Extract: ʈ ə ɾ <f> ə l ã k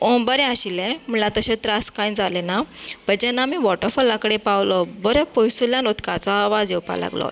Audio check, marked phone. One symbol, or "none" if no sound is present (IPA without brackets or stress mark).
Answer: f